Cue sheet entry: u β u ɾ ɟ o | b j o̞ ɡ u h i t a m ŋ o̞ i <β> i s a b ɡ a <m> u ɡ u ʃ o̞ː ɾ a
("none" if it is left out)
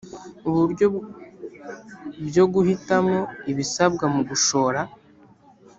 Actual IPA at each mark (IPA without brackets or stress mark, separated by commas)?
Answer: β, m